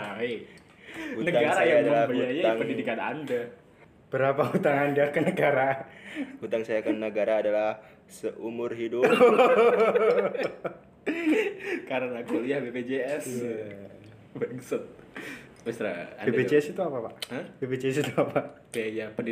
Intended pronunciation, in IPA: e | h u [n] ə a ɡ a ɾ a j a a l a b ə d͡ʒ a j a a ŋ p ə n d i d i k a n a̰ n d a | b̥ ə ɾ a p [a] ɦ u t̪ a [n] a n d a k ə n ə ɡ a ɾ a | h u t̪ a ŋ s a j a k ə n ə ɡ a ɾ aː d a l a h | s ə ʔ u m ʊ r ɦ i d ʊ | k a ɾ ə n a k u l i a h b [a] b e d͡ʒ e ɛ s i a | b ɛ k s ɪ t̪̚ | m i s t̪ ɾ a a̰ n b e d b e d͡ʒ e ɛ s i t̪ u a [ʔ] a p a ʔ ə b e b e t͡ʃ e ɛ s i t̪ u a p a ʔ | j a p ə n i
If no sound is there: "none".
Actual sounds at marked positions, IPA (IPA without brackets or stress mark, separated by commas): n, a, ŋ, e, p